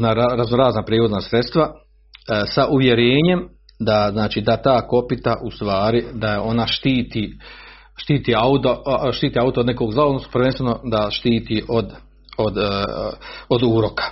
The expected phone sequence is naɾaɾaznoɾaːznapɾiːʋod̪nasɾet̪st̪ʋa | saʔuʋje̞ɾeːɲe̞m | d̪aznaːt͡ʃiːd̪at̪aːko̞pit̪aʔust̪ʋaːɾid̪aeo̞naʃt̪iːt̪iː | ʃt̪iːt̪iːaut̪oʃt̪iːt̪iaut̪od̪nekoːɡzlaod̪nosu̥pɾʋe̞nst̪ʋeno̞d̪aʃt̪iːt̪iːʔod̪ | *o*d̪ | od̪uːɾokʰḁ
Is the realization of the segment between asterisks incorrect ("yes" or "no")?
no